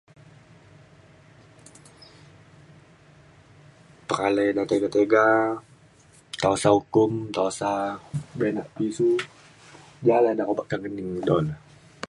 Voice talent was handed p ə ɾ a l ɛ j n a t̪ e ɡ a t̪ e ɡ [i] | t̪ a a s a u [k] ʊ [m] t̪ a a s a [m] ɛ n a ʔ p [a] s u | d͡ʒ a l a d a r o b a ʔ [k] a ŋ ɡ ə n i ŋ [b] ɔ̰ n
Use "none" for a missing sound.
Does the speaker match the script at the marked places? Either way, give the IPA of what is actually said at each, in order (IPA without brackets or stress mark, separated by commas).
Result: a, k, m, b, i, k, d